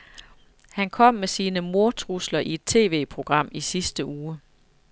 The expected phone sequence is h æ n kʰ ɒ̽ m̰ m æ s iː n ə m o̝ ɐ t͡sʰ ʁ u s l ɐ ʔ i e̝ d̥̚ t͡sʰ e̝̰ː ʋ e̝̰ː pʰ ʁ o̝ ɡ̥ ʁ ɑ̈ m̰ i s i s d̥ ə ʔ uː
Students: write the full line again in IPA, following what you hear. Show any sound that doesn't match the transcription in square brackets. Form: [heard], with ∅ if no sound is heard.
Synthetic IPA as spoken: h æ n kʰ ɒ̽ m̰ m [e] s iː n ə m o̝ ɐ t͡sʰ ʁ u s l ɐ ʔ i e̝ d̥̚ t͡sʰ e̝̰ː ʋ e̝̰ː pʰ ʁ o̝ ɡ̥ ʁ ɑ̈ m̰ i s i s d̥ ə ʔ uː